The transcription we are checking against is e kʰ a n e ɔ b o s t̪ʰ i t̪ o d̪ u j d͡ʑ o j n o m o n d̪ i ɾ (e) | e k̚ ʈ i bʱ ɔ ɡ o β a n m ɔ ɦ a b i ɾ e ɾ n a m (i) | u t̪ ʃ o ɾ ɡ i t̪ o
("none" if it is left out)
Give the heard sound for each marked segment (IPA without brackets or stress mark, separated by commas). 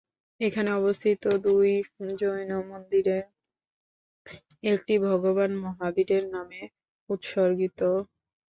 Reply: e, e